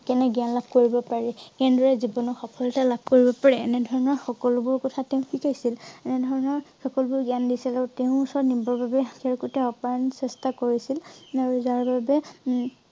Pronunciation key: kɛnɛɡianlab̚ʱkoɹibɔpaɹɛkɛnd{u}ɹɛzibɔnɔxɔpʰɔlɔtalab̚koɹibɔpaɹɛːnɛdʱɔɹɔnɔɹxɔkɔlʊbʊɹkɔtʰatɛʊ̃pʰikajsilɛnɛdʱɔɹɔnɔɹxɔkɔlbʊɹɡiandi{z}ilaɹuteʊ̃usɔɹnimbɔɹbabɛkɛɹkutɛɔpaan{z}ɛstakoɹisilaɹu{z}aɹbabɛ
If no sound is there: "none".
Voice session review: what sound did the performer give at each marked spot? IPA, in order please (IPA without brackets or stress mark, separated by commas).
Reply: ɔ, s, s, z